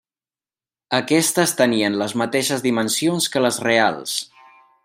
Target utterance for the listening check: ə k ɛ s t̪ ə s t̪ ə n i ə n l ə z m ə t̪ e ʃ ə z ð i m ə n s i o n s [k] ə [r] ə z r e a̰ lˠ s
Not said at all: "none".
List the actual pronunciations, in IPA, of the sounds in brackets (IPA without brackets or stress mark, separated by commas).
k, l